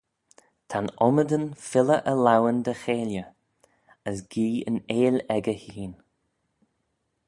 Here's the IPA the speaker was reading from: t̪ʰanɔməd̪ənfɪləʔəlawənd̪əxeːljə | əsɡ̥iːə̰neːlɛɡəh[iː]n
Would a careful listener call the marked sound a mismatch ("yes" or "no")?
no